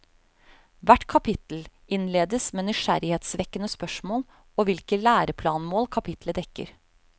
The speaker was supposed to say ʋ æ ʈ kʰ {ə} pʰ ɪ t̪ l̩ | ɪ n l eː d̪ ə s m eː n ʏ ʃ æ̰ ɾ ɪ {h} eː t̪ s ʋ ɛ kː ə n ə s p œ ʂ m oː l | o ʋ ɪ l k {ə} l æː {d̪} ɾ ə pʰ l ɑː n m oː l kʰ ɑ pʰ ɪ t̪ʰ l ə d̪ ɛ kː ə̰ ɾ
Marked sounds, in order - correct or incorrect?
incorrect: ɑ, correct, correct, incorrect: none

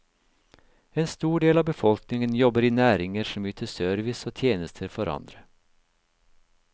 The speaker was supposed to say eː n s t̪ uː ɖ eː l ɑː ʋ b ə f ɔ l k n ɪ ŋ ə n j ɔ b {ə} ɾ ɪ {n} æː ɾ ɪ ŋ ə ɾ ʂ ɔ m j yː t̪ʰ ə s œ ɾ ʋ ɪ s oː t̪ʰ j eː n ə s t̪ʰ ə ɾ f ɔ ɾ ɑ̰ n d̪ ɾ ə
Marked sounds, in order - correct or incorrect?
correct, correct

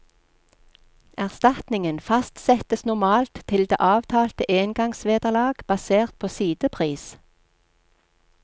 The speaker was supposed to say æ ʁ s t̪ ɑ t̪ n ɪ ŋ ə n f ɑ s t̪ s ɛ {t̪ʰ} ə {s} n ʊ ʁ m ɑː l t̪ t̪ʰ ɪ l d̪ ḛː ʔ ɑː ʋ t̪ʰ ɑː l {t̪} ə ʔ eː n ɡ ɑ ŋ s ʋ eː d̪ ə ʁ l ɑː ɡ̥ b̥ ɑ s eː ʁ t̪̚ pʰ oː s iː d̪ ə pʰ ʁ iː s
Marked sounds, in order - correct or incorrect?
incorrect: t̪, correct, correct

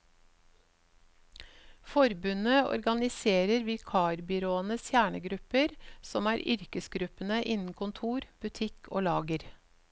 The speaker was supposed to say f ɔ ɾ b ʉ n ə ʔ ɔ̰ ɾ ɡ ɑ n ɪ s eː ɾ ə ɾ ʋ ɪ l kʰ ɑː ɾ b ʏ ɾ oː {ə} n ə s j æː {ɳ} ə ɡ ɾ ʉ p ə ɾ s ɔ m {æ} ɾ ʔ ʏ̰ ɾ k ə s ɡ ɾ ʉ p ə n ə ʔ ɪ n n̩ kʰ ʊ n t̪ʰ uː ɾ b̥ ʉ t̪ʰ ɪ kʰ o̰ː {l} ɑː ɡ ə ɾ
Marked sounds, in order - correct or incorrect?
correct, correct, incorrect: æː, correct

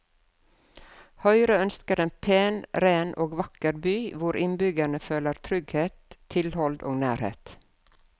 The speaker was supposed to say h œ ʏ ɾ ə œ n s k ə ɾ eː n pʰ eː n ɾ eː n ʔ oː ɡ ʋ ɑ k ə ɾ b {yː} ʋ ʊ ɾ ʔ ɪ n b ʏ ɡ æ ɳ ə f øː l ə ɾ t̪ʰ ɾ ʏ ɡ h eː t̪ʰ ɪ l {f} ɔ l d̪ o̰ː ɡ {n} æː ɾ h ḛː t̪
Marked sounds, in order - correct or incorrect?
correct, incorrect: h, correct

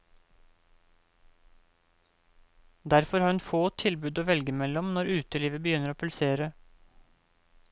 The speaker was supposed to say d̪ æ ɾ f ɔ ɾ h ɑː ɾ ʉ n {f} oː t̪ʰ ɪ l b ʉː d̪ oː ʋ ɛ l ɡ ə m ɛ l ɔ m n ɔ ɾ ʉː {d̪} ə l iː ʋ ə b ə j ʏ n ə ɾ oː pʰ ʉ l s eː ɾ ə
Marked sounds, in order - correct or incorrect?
correct, incorrect: t̪

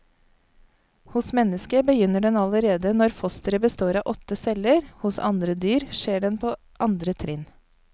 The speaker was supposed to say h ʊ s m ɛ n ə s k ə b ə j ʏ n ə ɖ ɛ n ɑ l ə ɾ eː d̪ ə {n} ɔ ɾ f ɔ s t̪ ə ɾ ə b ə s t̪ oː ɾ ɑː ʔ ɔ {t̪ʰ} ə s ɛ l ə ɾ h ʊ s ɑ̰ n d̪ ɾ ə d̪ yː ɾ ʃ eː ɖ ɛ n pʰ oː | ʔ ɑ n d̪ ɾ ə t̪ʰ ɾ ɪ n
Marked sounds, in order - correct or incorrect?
correct, incorrect: t̪

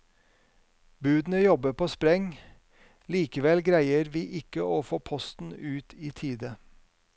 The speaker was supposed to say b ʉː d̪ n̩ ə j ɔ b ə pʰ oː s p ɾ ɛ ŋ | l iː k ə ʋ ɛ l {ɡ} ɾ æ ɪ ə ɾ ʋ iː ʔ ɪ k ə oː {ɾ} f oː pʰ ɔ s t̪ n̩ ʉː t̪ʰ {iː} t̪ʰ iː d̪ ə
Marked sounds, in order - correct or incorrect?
correct, incorrect: none, correct

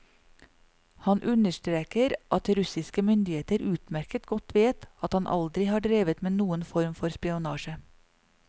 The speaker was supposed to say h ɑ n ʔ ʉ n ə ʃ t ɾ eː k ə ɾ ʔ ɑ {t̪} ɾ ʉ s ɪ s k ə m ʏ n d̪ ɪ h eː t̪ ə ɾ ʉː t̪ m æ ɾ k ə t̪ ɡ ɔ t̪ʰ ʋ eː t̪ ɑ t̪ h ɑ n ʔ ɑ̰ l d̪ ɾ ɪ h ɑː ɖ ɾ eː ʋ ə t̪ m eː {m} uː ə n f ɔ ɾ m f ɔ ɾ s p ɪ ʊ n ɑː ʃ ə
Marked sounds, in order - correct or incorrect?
correct, incorrect: n

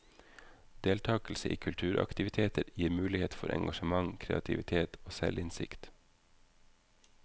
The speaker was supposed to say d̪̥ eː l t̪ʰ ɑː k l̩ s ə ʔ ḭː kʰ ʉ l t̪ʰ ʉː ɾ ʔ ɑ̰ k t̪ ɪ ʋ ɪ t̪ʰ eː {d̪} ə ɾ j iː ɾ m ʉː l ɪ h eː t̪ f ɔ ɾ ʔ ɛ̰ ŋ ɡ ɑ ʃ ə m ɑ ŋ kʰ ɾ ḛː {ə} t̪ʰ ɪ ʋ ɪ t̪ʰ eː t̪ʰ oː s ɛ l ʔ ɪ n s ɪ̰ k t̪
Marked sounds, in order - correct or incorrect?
incorrect: t̪, incorrect: ɑ

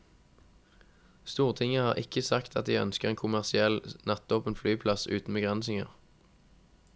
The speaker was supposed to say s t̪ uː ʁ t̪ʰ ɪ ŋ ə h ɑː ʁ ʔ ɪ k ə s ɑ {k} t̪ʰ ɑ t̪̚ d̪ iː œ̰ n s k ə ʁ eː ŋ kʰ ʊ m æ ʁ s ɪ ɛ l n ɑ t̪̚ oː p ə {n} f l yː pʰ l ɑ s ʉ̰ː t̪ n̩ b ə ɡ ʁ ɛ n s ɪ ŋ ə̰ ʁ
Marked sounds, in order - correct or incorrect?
correct, correct

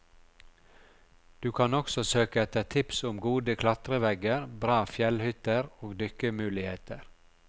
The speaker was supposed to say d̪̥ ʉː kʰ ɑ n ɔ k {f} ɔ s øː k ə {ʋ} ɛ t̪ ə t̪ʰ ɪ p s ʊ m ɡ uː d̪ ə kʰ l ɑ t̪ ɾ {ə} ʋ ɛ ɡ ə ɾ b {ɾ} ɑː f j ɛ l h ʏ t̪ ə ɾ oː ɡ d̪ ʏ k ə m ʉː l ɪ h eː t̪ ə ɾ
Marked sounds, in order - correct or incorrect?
incorrect: s, incorrect: none, correct, correct

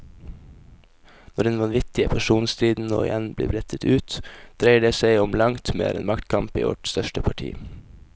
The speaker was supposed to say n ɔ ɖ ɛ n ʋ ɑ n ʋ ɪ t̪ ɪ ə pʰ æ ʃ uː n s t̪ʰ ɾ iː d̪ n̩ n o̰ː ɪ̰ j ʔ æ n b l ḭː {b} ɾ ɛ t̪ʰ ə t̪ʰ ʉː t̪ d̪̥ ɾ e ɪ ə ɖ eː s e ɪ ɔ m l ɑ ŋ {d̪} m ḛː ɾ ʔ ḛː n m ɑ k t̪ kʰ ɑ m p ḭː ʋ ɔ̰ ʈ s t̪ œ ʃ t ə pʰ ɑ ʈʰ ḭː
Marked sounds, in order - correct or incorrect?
correct, incorrect: t̪

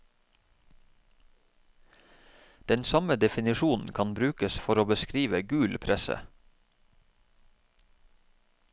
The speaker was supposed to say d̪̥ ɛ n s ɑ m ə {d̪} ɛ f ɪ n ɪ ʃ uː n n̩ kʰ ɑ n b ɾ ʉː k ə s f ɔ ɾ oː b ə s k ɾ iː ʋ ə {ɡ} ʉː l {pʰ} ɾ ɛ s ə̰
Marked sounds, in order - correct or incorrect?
correct, correct, correct

